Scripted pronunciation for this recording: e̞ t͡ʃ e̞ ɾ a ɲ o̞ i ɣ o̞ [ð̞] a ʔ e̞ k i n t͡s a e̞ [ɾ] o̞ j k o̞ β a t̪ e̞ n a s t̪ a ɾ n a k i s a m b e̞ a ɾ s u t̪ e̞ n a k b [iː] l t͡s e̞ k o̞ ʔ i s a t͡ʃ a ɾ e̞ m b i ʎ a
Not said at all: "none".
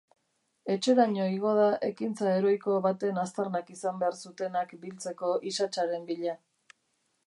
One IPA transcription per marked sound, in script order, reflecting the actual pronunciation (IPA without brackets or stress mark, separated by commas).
ð̞, ɾ, i